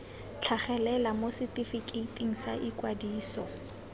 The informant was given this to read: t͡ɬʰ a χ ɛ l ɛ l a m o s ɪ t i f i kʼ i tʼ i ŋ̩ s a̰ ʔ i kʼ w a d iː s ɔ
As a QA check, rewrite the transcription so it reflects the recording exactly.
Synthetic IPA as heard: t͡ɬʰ a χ ɛ l ɛ l a m o s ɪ t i f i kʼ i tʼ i ŋ̩ s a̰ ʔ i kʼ w a d iː s ɔ